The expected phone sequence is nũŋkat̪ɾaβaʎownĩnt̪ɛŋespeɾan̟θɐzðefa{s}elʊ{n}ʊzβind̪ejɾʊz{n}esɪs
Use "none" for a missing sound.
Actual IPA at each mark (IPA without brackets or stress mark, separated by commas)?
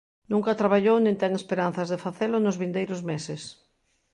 θ, n, m